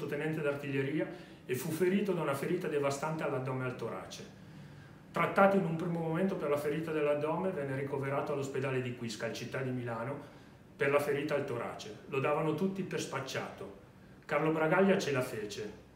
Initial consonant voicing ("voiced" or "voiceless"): voiceless